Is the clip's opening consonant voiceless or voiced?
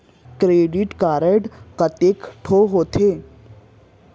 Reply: voiceless